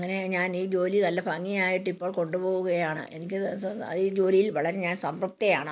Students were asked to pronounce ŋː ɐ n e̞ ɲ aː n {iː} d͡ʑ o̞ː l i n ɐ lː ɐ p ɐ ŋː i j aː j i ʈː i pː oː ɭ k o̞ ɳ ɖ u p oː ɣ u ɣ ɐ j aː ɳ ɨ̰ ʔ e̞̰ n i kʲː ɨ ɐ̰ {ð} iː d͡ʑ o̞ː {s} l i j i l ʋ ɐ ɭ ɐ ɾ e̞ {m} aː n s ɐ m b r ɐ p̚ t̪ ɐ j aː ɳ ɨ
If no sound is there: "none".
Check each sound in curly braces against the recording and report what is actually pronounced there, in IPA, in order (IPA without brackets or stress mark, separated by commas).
iː, ð, none, ɲ